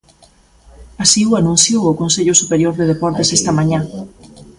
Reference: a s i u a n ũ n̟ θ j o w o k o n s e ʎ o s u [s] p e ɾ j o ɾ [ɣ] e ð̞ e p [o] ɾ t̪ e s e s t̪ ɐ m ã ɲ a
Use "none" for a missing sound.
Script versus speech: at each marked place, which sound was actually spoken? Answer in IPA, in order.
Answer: none, ð, ɔ

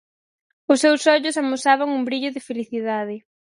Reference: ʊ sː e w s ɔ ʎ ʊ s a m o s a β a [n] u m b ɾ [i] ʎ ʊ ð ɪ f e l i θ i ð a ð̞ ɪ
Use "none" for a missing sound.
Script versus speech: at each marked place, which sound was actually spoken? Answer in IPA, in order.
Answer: ŋ, i

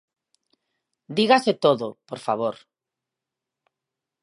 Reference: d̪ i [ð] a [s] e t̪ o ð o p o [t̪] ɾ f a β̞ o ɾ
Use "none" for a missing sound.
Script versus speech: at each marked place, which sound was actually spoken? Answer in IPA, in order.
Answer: ɣ, s, none

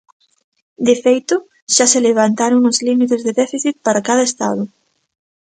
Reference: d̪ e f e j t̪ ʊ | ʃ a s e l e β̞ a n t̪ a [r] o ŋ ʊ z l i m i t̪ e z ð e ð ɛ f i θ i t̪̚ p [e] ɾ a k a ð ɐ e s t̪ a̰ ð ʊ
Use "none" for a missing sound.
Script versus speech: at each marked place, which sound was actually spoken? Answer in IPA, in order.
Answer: ɾ, a

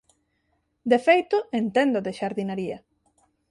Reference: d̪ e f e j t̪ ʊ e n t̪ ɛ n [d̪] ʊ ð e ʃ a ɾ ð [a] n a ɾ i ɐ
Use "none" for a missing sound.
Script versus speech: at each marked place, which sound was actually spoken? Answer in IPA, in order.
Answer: d̪, i

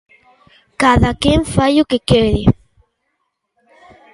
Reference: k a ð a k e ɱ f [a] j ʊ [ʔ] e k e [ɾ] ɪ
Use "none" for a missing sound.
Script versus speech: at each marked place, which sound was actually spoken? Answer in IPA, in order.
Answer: a, k, ɾ

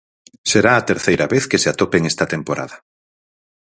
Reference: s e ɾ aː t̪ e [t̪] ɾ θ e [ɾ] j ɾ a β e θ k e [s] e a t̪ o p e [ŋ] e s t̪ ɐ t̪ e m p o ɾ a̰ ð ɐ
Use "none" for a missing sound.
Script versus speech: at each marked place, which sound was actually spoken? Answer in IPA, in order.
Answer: none, none, s, ŋ

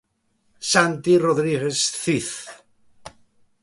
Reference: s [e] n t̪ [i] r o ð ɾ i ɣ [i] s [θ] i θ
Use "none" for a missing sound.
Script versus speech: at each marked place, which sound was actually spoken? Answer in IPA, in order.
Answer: a, i, e, θ

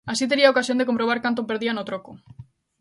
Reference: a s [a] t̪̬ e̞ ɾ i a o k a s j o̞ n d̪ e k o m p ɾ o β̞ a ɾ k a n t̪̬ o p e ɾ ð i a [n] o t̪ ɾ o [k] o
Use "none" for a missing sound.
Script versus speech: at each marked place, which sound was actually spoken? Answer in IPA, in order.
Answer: i, n, k

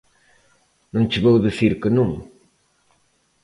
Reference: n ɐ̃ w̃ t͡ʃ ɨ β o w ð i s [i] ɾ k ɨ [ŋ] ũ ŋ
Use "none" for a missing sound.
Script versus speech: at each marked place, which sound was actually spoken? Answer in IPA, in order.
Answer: i, n

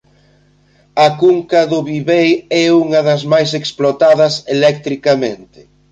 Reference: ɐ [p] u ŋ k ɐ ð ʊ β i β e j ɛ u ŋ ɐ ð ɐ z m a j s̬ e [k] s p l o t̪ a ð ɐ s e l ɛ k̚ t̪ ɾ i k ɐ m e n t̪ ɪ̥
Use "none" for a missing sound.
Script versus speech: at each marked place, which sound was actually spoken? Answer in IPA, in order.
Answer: k, k

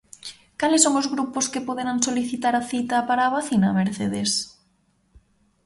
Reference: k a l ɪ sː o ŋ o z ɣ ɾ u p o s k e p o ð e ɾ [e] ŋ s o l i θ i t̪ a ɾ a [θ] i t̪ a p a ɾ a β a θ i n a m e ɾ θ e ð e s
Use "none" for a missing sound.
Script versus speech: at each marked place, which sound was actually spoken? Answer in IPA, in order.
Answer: a, θ

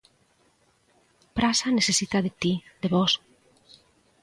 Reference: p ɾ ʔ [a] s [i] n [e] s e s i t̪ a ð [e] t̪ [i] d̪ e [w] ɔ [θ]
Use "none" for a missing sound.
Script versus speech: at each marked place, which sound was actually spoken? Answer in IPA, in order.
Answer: a, a, e, e, i, β, s

